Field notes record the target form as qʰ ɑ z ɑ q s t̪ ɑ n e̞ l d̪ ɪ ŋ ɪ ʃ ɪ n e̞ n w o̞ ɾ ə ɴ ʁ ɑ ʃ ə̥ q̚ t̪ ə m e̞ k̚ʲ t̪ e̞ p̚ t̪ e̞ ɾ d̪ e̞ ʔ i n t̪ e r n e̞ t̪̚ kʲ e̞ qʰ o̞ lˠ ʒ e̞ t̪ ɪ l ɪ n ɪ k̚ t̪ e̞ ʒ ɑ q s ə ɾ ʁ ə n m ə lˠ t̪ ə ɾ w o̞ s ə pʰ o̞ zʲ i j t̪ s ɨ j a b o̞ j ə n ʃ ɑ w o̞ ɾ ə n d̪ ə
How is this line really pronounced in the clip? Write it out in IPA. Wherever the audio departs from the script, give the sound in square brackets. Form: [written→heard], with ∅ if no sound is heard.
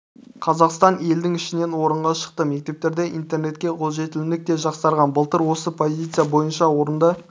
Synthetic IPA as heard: qʰ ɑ z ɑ q s t̪ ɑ n e̞ l d̪ ɪ ŋ ɪ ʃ ɪ n e̞ n w o̞ ɾ ə ɴ ʁ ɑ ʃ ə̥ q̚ t̪ ə m e̞ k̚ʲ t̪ e̞ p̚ t̪ e̞ ɾ d̪ e̞ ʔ i n t̪ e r n e̞ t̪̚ kʲ e̞ qʰ o̞ lˠ ʒ e̞ t̪ ɪ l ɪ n ɪ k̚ t̪ e̞ ʒ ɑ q s [ə→ɑ] ɾ ʁ [ə→ɑ] n [m→b] ə lˠ t̪ ə ɾ w o̞ s ə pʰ o̞ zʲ i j t̪ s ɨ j a b o̞ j ə n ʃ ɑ w o̞ ɾ ə n d̪ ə